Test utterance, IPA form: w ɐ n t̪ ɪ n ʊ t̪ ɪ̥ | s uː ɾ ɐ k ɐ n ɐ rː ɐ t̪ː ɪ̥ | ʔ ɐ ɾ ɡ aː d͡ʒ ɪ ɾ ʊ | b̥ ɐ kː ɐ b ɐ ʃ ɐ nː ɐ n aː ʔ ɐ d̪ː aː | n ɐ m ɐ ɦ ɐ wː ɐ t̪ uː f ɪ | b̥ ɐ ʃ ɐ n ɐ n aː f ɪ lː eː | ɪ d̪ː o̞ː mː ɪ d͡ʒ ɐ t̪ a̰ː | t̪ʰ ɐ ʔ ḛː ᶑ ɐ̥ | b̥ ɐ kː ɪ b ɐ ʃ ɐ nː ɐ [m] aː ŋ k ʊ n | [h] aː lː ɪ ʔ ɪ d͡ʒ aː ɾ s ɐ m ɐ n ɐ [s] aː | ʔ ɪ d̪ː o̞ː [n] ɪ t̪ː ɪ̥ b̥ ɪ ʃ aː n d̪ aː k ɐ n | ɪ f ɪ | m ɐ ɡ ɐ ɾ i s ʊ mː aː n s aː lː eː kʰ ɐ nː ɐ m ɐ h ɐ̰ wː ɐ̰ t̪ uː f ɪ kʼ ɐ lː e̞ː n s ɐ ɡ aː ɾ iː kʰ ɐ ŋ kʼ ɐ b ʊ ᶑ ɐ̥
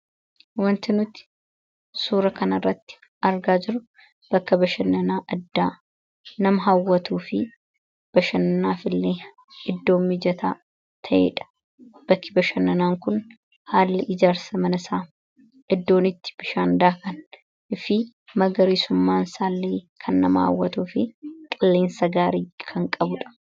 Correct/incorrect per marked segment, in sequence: incorrect: n, correct, correct, correct

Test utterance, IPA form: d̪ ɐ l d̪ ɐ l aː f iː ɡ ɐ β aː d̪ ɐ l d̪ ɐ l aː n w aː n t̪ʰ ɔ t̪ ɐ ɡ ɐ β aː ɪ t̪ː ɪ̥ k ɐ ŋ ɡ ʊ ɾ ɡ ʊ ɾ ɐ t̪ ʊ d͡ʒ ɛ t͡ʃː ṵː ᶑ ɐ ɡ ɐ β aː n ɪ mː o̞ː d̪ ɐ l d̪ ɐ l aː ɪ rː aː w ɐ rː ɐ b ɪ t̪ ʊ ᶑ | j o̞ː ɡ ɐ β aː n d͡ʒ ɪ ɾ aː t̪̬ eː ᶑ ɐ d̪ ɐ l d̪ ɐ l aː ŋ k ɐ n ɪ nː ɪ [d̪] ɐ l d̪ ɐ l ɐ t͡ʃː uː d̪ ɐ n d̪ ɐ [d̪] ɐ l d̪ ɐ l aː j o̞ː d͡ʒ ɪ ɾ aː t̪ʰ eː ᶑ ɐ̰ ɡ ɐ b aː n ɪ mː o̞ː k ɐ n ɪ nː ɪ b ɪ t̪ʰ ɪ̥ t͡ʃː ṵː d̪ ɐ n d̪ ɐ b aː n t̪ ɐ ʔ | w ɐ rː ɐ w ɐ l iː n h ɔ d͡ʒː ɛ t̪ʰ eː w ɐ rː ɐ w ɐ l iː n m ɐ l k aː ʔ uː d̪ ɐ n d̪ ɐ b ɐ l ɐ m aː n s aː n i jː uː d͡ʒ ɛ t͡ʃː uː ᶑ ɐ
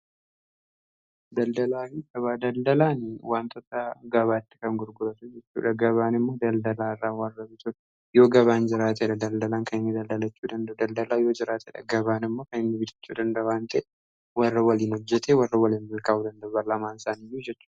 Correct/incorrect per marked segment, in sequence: correct, correct

